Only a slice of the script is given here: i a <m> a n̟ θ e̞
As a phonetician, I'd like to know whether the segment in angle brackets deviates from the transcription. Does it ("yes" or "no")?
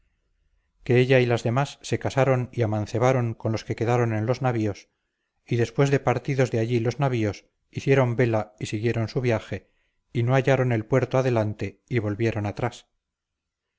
no